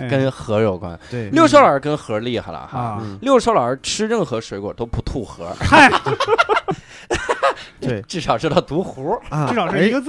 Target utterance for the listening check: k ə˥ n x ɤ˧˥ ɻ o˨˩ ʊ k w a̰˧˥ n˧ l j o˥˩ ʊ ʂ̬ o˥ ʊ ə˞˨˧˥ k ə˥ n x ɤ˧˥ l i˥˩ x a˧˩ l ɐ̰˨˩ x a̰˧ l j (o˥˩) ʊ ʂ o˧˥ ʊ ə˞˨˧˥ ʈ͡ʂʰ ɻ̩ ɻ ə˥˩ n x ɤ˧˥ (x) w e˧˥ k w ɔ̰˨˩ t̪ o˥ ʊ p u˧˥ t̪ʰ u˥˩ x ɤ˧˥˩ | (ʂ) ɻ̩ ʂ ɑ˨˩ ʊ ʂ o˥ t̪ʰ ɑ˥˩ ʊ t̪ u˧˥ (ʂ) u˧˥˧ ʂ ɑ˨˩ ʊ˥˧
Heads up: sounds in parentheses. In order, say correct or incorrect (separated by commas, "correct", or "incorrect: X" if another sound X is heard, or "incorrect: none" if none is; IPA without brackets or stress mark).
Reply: correct, incorrect: ʂ, incorrect: ʈ͡ʂ, incorrect: x